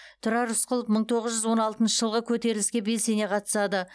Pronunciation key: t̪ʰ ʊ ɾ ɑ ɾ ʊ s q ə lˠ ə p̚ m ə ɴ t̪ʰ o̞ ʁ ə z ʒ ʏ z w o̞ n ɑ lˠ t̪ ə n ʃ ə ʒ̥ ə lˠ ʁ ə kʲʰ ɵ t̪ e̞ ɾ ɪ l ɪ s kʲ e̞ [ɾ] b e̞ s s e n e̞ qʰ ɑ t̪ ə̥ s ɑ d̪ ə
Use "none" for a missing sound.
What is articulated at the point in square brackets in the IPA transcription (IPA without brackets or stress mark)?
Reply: none